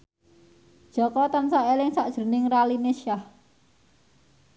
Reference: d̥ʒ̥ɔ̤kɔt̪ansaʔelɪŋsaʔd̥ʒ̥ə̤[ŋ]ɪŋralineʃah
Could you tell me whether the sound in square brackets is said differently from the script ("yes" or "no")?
yes